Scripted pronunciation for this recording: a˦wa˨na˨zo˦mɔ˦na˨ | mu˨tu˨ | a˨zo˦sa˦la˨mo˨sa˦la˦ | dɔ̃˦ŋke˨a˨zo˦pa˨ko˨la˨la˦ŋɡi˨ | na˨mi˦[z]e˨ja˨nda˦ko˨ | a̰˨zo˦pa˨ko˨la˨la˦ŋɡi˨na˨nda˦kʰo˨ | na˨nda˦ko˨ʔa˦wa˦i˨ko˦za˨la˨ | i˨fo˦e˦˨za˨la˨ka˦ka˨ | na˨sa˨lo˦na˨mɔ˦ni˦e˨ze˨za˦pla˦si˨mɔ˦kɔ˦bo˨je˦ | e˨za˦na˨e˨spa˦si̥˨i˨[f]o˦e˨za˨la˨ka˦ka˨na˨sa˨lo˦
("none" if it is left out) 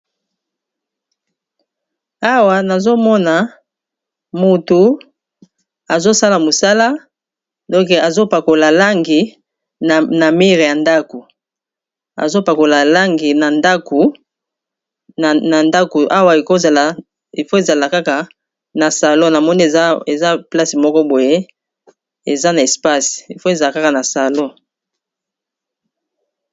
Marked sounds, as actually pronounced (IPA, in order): ʁ, f

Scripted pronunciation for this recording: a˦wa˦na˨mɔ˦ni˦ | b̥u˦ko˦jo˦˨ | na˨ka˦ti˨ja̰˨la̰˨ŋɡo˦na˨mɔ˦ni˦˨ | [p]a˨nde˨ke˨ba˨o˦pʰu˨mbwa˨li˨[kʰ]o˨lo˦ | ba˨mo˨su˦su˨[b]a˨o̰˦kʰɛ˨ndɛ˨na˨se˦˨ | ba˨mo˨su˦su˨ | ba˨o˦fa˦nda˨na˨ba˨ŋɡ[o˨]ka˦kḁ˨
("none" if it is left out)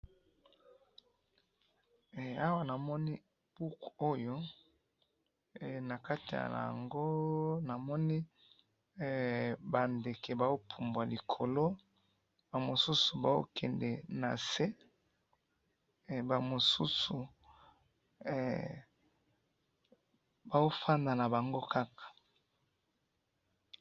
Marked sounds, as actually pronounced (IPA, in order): b, kʰ, b, o˦

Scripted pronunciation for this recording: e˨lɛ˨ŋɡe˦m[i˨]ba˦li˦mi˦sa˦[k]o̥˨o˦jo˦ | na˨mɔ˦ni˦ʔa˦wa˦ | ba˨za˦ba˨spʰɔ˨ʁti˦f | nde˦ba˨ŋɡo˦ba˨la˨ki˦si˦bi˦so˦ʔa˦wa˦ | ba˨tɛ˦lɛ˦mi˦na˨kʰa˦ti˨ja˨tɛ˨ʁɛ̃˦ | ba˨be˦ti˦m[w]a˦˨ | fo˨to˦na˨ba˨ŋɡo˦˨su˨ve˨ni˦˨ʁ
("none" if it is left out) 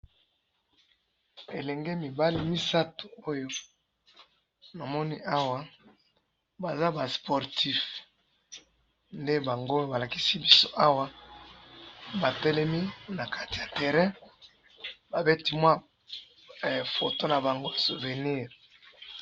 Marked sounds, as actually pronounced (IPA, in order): i˨, t, w

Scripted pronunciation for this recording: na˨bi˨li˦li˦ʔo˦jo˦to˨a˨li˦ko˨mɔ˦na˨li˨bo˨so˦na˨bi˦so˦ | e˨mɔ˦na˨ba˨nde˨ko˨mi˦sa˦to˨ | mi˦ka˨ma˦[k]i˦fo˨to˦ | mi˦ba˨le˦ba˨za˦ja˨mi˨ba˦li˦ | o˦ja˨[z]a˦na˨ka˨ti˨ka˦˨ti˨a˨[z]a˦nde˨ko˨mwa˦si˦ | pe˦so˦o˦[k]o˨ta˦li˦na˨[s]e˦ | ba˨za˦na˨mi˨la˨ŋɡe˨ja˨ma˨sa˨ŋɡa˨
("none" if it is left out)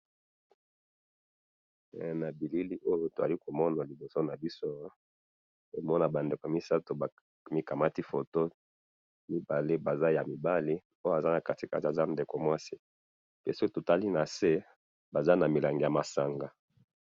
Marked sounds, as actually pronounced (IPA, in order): t, z, z, t, s

